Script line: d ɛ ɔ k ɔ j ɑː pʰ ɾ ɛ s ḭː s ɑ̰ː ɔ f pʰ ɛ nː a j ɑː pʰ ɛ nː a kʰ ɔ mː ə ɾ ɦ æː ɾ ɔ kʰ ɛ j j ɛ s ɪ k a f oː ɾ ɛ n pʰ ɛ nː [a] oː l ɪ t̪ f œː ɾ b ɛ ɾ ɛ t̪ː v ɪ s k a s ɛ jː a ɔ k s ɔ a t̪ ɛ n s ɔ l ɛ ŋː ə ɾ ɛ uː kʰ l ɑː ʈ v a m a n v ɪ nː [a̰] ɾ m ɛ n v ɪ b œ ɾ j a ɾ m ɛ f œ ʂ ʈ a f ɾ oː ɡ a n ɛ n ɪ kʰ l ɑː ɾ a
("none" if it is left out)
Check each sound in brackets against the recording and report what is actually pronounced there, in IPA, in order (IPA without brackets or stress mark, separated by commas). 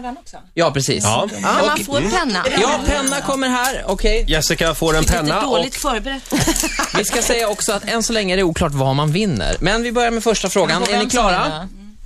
a, ə̰